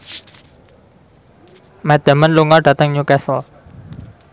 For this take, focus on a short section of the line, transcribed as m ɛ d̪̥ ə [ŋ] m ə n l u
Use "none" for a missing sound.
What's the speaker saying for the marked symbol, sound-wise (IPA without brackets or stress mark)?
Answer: none